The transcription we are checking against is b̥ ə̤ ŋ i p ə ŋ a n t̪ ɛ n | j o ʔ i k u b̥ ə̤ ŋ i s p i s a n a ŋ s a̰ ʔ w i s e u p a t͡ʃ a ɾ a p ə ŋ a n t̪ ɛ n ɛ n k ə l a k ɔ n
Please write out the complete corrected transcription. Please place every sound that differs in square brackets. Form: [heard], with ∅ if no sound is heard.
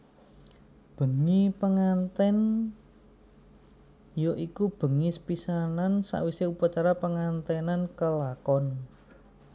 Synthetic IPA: b̥ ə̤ ŋ i p ə ŋ a n t̪ ɛ n | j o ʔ i k u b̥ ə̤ ŋ i s p i s a n a [n] s a̰ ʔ w i s e u p a t͡ʃ a ɾ a p ə ŋ a n t̪ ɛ n [a] n k ə l a k ɔ n